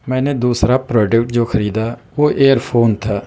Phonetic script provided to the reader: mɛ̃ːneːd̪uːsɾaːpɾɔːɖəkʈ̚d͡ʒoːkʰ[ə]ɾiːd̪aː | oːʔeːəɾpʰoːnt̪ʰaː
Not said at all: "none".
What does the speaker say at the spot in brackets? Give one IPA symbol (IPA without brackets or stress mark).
ə